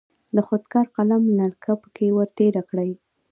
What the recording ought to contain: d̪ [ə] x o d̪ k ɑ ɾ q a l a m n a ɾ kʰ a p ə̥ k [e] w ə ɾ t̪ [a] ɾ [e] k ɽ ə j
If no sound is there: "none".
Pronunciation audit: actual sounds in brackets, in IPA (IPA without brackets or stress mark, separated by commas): ə, e, e, a